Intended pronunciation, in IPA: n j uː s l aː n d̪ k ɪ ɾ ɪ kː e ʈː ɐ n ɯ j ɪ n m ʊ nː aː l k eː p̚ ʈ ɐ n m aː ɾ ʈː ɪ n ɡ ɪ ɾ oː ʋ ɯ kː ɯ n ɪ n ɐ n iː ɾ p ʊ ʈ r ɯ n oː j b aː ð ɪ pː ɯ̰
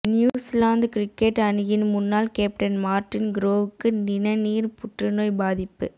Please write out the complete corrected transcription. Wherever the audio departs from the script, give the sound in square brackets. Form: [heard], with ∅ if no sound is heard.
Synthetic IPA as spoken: n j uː s l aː n d̪ k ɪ ɾ ɪ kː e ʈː ɐ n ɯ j ɪ n m ʊ nː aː l k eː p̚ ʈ ɐ n m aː ɾ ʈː ɪ n ɡ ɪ ɾ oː ʋ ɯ kː ɯ n ɪ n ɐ n iː ɾ p ʊ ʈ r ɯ n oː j b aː ð ɪ pː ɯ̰